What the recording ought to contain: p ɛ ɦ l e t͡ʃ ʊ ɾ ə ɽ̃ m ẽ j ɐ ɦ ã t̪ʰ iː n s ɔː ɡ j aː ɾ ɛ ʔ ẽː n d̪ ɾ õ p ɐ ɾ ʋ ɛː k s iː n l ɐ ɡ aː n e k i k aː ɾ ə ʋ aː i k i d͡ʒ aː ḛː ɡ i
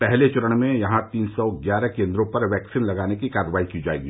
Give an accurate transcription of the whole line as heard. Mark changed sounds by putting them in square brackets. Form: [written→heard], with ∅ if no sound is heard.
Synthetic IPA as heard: p ɛ ɦ l e t͡ʃ ʊ ɾ ə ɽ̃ m ẽ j ɐ ɦ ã [t̪ʰ→t̪] iː n s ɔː ɡ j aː ɾ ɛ [ʔ→k] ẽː n d̪ ɾ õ p ɐ ɾ ʋ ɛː k s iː n l ɐ ɡ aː n e k i k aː ɾ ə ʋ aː i k i d͡ʒ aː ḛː ɡ i